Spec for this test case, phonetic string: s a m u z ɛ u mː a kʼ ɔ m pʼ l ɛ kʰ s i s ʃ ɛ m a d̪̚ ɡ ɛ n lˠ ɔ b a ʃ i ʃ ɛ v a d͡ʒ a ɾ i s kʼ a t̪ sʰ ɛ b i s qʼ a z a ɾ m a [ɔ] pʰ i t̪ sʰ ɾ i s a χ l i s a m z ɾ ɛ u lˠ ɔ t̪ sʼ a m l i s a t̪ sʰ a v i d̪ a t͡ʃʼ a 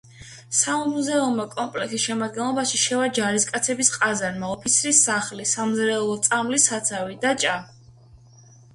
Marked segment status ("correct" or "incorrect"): correct